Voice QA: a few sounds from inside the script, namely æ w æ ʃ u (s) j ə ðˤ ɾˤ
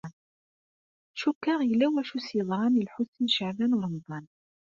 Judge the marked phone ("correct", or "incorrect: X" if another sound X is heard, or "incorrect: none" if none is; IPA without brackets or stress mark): correct